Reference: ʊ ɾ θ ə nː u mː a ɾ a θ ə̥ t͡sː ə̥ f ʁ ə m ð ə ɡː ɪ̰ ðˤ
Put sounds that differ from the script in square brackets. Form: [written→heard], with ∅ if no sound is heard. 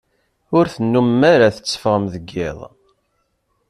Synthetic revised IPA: ʊ ɾ θ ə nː u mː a ɾ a θ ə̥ t͡sː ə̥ f ʁ ə m ð ə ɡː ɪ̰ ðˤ